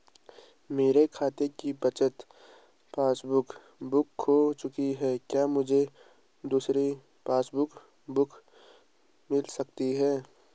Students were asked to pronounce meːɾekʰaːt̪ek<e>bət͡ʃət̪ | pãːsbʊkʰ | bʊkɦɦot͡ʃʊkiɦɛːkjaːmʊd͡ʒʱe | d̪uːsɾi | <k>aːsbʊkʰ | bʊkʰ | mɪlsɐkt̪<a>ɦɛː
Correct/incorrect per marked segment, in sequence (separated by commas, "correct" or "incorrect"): incorrect, incorrect, incorrect